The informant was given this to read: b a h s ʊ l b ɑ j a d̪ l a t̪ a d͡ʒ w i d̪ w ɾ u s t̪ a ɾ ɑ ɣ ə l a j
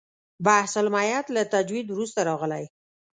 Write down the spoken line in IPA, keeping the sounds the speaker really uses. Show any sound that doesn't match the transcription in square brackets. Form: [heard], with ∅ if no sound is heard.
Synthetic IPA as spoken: b a h s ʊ l [m] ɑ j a [t̪] l a t̪ a d͡ʒ w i d̪ w ɾ u s t̪ a ɾ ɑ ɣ ə l a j

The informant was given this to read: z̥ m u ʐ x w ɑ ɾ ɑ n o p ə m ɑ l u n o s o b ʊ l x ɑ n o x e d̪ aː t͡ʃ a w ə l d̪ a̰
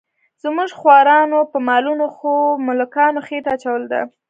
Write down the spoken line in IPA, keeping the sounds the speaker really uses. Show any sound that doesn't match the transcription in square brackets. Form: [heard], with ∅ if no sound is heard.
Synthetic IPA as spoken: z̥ m u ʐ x w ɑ ɾ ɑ n o p ə m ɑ l u n o [x] o [m] ʊ l [k] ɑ n o x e [t̪] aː t͡ʃ a w ə l d̪ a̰

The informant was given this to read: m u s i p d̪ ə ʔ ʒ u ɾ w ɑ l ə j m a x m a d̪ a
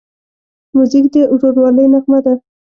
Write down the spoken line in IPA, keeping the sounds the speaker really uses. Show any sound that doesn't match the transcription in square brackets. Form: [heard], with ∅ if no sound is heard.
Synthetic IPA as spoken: m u [z] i [k] d̪ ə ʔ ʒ [o] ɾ w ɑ l ə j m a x m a d̪ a

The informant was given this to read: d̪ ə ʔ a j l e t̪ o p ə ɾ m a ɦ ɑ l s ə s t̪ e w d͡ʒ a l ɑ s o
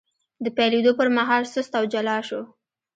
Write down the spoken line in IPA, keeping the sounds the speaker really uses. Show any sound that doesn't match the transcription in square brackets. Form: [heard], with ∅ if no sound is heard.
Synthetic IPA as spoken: d̪ ə [p] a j l e [d̪] o p ə ɾ m a ɦ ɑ l s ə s t̪ [a] w d͡ʒ a l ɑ [ʃ] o

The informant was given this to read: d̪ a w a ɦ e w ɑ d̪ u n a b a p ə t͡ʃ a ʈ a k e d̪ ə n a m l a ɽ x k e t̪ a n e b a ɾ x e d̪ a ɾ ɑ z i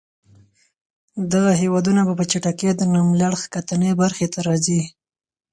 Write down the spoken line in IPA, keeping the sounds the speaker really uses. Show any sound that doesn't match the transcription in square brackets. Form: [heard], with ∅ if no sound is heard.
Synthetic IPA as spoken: d̪ a [ɣ] a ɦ e w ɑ d̪ u n a b a p ə t͡ʃ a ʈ a k e d̪ ə n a m l a ɽ x k [a] t̪ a n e b a ɾ x e [t̪] a ɾ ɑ z i

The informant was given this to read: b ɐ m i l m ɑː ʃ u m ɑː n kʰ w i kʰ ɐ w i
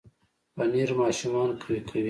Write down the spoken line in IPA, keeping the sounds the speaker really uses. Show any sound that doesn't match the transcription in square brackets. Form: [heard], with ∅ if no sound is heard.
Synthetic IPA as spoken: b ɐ [n] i [ɾ] m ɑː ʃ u m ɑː n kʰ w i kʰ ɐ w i

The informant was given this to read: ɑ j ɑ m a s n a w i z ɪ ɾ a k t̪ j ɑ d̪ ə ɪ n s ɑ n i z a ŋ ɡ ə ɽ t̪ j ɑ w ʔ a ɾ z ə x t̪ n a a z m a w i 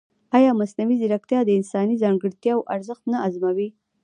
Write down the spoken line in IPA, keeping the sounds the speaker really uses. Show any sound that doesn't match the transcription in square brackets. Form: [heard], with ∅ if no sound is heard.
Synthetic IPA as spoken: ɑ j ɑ m a s n a w i z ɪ ɾ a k t̪ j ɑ d̪ ə ɪ n s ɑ n i z [ɑ] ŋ ɡ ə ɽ t̪ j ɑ w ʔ a ɾ z ə x t̪ n a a z m a w i

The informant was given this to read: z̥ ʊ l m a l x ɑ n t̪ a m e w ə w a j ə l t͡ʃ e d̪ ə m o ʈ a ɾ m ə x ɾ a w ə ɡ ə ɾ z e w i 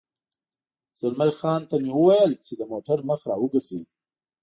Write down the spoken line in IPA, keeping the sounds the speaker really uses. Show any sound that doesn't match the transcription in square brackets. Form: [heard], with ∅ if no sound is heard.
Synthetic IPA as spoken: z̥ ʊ l m a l x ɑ n t̪ a m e w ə w a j ə l t͡ʃ e d̪ ə m o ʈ a ɾ m ə x ɾ [ɑ] w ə ɡ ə ɾ z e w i

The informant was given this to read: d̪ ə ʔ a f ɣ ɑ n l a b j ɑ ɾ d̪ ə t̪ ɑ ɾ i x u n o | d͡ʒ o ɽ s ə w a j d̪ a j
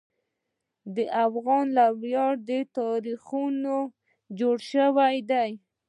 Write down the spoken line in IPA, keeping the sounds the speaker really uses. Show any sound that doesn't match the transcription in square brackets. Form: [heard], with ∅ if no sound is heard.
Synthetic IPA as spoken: d̪ ə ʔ a f ɣ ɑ n l a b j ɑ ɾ d̪ ə t̪ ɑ ɾ i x u n o | d͡ʒ o ɽ [ʃ] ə w a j d̪ a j

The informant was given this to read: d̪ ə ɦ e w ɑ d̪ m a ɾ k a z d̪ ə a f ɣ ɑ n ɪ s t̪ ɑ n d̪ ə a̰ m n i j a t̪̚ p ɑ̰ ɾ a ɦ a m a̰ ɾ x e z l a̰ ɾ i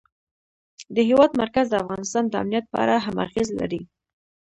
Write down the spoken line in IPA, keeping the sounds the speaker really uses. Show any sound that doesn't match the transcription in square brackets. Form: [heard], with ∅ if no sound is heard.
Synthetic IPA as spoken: d̪ ə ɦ e w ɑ d̪ m a ɾ k a z d̪ ə a f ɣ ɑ n ɪ s t̪ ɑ n d̪ ə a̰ m n i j a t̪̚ p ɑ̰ ɾ a ɦ a m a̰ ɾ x e z l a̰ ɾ i

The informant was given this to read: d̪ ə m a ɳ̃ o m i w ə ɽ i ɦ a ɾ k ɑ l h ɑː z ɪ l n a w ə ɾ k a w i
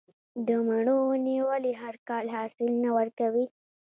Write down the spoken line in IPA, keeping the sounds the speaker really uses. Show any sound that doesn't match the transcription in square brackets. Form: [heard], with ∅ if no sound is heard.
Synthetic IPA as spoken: d̪ ə m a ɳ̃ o [n] i w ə [l] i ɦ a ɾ k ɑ l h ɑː [s] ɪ l n a w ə ɾ k a w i

